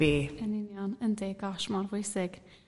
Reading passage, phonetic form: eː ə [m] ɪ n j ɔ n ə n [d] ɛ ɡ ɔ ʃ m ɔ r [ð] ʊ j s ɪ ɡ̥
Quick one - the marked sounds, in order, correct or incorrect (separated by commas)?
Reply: incorrect, correct, incorrect